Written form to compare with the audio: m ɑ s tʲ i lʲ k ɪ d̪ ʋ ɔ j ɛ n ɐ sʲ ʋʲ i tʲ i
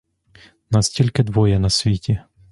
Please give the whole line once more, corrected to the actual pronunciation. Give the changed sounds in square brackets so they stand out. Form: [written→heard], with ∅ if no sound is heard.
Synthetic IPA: [m→n] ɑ s tʲ i lʲ k ɪ d̪ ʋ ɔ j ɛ n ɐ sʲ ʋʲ i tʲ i